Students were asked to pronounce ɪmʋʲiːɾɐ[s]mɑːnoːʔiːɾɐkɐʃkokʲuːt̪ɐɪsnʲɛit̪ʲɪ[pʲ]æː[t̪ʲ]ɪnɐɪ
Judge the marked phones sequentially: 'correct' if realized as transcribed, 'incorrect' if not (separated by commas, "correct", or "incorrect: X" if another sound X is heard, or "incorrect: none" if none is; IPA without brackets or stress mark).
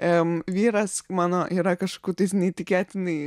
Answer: correct, incorrect: kʲ, correct